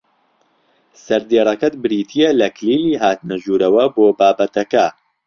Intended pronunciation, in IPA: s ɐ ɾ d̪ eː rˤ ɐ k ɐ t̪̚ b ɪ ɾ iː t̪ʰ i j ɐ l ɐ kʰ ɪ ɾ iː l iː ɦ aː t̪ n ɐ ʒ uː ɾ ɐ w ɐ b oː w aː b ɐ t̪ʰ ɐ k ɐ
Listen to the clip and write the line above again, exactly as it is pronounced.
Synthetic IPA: s ɐ ɾ d̪ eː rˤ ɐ k ɐ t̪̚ b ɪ ɾ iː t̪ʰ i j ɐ l ɐ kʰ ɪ l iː l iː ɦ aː t̪ n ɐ ʒ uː ɾ ɐ w ɐ b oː b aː b ɐ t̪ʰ ɐ k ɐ